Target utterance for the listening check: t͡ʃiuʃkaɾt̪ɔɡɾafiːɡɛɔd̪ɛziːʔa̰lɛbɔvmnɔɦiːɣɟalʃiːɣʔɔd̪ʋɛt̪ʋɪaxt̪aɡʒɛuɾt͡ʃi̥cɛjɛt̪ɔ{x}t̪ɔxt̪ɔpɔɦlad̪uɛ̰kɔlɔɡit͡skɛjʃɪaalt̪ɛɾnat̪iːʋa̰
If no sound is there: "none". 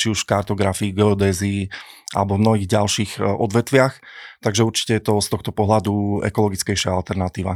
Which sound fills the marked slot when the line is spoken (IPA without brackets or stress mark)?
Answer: s